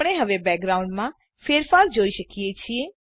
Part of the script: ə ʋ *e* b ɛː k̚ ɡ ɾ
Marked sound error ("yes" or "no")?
no